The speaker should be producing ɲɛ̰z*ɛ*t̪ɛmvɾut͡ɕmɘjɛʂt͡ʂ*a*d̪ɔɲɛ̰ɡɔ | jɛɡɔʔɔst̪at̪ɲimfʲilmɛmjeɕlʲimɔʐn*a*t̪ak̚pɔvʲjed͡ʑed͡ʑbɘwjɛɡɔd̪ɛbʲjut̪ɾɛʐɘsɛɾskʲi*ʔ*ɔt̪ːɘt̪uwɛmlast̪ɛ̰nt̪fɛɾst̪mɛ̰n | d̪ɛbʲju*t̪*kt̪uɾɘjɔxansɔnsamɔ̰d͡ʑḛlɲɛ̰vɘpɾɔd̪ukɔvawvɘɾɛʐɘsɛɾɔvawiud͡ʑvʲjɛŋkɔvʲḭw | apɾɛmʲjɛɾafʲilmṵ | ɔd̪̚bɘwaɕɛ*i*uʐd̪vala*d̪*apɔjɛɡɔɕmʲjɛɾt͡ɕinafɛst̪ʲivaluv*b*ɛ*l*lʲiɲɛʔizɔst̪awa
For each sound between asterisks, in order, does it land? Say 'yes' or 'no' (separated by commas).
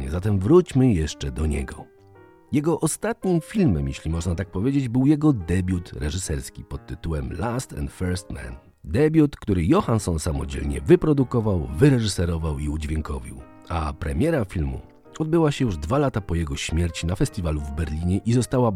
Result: no, no, yes, no, yes, no, no, yes, no